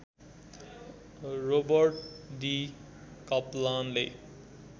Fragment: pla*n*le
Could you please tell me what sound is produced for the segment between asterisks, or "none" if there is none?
n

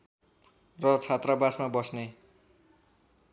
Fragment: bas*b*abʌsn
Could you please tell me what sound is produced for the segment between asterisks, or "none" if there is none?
m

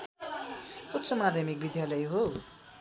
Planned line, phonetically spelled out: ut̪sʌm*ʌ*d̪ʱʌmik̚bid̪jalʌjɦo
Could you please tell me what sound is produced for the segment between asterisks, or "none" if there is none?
a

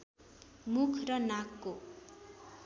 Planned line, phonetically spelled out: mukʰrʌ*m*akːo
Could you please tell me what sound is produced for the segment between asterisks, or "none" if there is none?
n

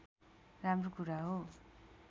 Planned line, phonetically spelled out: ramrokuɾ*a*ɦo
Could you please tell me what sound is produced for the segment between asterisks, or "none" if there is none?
a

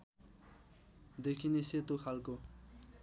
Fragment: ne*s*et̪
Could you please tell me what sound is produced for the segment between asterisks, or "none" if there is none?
s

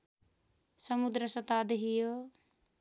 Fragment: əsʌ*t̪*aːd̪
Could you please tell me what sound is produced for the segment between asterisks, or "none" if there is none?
t̪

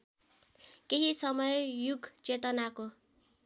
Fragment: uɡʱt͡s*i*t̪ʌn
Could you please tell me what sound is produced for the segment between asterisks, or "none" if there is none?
e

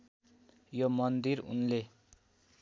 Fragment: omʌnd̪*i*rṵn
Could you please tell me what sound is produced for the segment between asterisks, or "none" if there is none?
i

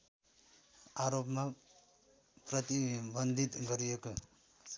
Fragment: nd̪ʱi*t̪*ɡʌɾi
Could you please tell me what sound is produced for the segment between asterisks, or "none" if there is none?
t̪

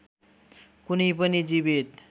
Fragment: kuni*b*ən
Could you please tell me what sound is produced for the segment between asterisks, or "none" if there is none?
p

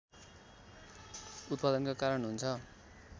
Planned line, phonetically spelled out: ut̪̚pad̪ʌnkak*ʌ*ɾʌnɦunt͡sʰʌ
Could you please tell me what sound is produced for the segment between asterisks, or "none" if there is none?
a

